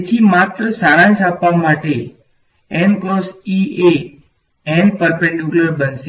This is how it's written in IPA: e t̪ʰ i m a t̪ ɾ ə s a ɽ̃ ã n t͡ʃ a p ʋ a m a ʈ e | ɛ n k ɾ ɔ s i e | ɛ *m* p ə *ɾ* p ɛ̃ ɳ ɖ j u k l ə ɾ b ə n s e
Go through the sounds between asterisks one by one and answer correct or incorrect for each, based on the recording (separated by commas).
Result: incorrect, correct